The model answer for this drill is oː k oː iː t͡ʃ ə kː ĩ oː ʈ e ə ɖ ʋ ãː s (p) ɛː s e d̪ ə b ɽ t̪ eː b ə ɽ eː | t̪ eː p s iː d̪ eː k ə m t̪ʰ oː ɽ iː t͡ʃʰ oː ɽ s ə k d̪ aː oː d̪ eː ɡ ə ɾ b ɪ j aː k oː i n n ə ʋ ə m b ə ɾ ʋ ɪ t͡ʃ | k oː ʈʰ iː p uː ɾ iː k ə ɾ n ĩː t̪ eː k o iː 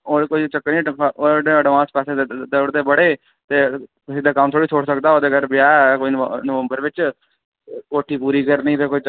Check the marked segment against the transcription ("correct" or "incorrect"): correct